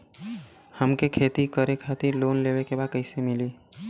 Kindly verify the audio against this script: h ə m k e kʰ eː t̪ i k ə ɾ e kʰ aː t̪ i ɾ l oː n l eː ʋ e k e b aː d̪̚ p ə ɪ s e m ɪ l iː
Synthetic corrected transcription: h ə m k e kʰ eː t̪ i k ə ɾ e kʰ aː t̪ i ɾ l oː n l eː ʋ e k e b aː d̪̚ k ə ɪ s e m ɪ l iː